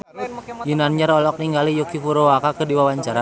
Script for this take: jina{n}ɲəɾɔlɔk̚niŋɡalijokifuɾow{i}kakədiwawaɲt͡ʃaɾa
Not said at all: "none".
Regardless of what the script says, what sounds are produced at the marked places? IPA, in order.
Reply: n, a

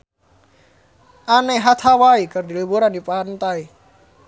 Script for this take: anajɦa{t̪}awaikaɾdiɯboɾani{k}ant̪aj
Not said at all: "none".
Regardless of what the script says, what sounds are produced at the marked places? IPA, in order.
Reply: t̪ʰ, p

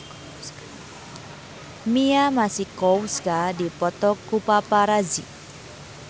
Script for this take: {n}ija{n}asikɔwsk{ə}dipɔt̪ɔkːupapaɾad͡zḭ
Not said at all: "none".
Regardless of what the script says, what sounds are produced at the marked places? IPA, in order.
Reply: m, m, a

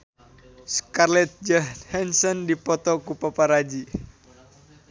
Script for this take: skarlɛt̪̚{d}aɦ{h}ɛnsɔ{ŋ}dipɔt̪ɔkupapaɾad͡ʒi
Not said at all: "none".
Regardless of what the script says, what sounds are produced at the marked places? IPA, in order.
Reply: d͡ʒ, h, n

